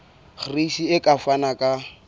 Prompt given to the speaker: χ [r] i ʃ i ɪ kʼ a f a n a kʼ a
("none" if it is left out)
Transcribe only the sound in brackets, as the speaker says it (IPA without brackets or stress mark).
r